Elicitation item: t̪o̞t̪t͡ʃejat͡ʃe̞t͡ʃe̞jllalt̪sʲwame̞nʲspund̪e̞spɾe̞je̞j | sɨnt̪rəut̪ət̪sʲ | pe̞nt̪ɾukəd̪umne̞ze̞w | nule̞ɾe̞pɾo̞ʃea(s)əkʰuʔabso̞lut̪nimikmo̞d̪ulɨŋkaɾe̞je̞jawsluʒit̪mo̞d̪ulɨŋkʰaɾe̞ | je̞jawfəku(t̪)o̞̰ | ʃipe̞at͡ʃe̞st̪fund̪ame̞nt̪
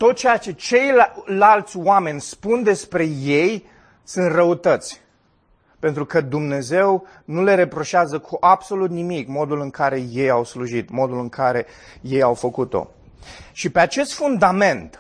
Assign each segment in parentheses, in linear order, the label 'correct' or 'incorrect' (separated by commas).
incorrect, correct